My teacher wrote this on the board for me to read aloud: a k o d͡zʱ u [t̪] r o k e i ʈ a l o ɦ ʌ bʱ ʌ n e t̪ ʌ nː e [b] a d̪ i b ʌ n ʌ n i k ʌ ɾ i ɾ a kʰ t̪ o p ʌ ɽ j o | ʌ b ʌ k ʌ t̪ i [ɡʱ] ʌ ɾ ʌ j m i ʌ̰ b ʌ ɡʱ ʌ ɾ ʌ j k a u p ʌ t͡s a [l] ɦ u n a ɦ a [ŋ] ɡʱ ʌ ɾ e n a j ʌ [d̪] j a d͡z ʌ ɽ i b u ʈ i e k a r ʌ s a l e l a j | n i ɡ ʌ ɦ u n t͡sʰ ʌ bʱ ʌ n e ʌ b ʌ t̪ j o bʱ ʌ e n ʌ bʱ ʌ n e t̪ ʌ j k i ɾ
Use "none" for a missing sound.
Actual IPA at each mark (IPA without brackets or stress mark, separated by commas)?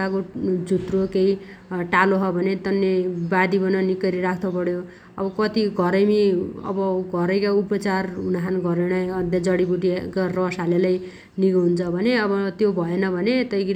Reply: t̪, b, ɡʱ, r, n, d̪